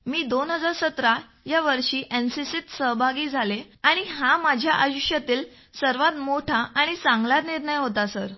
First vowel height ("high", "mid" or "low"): high